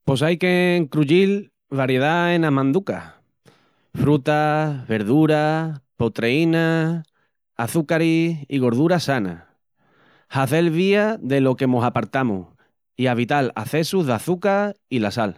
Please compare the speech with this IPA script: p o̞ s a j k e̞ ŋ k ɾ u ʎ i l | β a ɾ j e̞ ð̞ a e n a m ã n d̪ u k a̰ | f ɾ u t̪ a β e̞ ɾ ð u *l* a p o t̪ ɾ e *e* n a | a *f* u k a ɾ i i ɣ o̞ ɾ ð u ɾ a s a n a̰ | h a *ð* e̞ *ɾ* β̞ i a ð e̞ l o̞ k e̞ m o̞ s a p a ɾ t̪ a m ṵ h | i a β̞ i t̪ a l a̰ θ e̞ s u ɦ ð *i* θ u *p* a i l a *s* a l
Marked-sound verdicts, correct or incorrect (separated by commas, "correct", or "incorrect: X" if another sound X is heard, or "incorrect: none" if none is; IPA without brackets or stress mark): incorrect: ɾ, incorrect: i, incorrect: θ, incorrect: θ, incorrect: l, incorrect: a, incorrect: k, correct